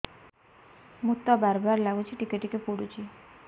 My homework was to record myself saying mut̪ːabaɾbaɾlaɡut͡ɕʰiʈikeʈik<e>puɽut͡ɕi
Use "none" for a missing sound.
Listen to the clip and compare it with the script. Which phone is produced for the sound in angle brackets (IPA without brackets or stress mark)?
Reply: e